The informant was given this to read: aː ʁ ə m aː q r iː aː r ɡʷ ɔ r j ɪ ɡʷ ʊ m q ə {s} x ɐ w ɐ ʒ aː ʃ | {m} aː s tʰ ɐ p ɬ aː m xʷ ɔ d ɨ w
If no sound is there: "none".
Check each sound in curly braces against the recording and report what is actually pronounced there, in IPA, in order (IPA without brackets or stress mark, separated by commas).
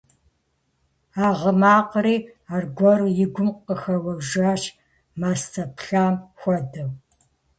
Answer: none, m